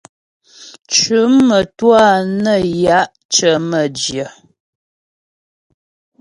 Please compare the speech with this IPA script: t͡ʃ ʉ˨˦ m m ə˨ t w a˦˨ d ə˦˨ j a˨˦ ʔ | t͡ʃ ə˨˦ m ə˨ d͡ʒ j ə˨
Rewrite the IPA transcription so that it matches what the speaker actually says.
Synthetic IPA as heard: t͡ʃ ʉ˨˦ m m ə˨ t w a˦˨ n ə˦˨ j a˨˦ ʔ | t͡ʃ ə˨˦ m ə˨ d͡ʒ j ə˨